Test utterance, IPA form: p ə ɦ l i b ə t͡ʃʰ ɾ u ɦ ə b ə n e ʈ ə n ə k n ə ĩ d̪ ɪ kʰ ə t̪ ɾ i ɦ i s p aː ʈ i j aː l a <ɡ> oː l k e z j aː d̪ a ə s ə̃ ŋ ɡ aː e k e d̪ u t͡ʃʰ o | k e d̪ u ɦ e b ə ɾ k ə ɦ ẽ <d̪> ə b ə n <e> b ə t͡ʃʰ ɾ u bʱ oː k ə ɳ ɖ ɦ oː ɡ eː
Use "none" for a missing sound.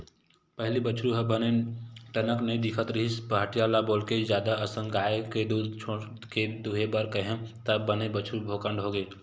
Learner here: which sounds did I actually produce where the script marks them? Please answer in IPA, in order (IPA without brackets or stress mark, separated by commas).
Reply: b, t̪, e